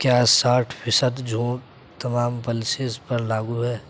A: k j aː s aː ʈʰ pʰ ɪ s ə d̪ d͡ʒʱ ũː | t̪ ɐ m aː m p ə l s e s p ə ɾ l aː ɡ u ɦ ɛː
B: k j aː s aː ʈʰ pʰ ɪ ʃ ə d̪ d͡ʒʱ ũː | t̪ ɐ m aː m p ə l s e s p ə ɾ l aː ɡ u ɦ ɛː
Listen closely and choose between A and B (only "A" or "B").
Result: A